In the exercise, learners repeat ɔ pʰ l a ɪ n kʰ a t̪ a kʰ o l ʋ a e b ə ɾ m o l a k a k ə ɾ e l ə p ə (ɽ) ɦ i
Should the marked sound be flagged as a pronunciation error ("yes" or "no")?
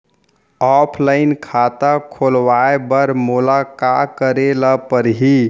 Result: yes